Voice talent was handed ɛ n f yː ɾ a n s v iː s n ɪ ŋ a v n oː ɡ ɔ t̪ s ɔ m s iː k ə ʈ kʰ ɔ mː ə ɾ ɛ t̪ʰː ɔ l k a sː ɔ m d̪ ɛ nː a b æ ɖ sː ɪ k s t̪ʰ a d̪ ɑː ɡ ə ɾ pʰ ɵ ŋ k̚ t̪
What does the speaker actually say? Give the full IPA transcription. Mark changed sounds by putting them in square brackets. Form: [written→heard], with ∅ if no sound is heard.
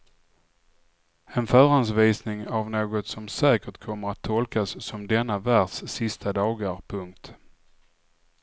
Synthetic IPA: ɛ n f [yː→œː] ɾ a n s v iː s n ɪ ŋ a v n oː ɡ ɔ t̪ s ɔ m s [iː→ɛː] k ə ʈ kʰ ɔ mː ə ɾ [ɛ→a] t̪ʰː ɔ l k a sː ɔ m d̪ ɛ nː a [b→v] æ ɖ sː ɪ [k→∅] s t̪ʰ a d̪ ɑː ɡ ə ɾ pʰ ɵ ŋ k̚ t̪